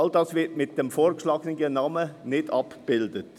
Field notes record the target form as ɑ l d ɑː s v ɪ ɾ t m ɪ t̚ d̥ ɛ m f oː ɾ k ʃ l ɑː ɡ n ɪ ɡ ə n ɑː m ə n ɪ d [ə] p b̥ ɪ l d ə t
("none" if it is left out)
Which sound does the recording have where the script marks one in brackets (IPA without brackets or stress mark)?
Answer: ɑ